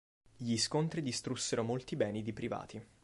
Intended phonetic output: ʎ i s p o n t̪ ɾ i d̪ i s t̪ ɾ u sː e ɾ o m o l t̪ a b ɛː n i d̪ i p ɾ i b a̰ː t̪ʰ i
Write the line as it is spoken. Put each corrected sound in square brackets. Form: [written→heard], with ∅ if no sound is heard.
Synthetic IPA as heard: ʎ i s [p→k] o n t̪ ɾ i d̪ i s t̪ ɾ u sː e ɾ o m o l t̪ [a→i] b ɛː n i d̪ i p ɾ i [b→v] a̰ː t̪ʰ i